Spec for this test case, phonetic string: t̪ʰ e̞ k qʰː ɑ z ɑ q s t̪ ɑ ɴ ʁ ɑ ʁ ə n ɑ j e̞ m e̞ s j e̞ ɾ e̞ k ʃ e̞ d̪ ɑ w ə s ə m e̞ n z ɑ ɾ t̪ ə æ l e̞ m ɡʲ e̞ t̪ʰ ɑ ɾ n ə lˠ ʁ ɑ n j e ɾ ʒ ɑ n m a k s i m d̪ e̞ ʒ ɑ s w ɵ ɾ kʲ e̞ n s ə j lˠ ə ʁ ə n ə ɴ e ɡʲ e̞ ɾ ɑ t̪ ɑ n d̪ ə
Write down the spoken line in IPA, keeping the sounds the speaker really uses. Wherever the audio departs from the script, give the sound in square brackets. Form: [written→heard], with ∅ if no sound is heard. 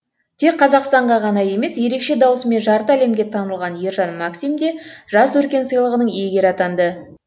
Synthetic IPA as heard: t̪ʰ e̞ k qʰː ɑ z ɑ q s t̪ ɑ ɴ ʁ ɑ ʁ [ə→ɑ] n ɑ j e̞ m e̞ s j e̞ ɾ e̞ k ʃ e̞ d̪ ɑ w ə s ə m e̞ n [z→ʒ] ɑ ɾ t̪ ə æ l e̞ m ɡʲ e̞ t̪ʰ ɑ [ɾ→∅] n ə lˠ ʁ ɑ n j e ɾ ʒ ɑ n m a k s i m d̪ e̞ ʒ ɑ s w ɵ ɾ kʲ e̞ n s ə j lˠ ə ʁ ə n ə ɴ e ɡʲ e̞ ɾ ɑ t̪ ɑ n d̪ ə